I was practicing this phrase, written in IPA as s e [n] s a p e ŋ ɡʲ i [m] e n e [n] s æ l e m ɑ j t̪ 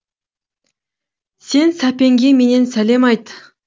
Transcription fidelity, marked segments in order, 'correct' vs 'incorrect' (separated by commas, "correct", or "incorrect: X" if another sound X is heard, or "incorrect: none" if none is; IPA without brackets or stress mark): correct, correct, correct